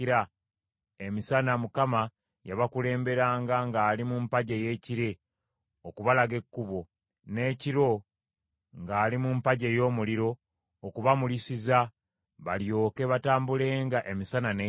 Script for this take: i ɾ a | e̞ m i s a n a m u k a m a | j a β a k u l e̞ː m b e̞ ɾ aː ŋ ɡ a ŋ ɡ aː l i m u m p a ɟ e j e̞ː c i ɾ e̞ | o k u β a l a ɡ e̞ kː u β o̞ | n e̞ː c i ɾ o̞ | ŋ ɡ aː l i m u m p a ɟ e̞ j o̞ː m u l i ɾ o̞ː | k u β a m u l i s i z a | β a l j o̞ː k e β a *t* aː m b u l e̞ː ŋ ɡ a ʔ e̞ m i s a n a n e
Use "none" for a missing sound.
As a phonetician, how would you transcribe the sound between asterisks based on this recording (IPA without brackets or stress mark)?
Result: t